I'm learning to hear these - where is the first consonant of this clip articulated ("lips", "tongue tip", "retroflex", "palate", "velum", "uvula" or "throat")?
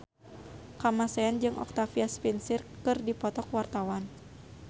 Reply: velum